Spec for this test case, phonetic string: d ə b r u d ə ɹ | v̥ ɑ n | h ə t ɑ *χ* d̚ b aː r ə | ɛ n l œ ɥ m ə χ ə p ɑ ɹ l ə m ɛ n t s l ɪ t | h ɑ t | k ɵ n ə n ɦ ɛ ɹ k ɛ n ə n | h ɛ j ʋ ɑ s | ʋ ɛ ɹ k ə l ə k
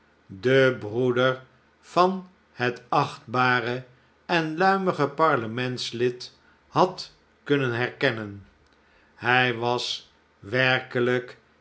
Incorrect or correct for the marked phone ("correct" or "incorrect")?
correct